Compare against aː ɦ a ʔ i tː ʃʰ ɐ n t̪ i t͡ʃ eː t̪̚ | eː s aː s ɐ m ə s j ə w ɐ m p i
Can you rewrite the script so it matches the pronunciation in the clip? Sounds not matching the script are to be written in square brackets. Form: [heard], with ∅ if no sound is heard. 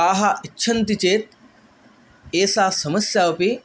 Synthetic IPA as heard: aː ɦ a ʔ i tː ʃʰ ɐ n t̪ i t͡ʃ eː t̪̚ | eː s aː s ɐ m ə s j [a] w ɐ [∅] p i